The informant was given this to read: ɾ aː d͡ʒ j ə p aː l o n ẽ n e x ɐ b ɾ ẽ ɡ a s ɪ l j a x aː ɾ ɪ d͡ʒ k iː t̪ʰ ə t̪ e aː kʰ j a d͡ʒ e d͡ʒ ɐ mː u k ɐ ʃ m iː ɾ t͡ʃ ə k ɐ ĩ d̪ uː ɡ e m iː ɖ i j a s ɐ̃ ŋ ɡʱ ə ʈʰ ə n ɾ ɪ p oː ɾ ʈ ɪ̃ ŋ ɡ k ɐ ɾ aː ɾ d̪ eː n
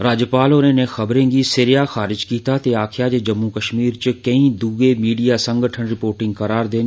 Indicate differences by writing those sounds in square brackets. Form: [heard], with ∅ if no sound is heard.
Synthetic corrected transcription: ɾ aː d͡ʒ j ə p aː l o n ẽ n e x ɐ b ɾ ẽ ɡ [i] s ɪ [ɾ] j a x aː ɾ ɪ d͡ʒ k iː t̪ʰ [a] t̪ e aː kʰ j a d͡ʒ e d͡ʒ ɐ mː u k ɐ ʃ m iː ɾ t͡ʃ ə k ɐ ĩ d̪ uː ɡ e m iː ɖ i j a s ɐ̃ ŋ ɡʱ ə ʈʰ ə n ɾ ɪ p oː ɾ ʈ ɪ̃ ŋ ɡ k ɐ ɾ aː ɾ d̪ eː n